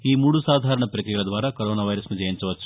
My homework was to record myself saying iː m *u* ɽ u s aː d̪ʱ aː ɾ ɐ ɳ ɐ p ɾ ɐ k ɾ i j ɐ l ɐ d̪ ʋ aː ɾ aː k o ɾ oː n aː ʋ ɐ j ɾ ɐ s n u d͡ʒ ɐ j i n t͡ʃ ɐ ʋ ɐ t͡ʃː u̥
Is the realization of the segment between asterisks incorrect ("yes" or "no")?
yes